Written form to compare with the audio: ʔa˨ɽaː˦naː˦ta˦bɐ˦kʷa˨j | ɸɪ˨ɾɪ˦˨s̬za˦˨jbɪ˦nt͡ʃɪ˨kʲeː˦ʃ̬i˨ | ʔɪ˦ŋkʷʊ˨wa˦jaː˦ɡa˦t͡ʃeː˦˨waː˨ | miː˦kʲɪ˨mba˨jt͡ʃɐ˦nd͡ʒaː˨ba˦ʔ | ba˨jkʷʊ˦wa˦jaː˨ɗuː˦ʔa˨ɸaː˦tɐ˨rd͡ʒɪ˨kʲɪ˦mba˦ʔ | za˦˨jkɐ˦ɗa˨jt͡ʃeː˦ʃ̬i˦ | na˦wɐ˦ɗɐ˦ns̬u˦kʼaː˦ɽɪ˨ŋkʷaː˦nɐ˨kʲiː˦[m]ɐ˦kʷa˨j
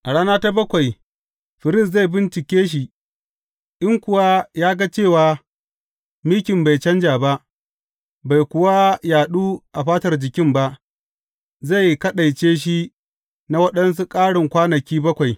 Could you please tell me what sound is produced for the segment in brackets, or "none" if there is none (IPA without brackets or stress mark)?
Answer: b